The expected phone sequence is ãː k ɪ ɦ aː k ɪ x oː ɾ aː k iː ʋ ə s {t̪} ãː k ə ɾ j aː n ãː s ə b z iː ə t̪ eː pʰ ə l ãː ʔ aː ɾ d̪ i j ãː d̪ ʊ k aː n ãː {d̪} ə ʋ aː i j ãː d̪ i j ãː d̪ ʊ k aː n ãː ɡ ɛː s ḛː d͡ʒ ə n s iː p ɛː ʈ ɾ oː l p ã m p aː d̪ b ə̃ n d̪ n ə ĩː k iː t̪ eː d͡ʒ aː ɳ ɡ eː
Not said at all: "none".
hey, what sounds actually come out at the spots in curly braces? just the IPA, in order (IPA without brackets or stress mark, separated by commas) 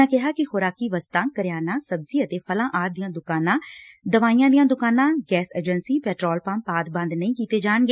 t̪, d̪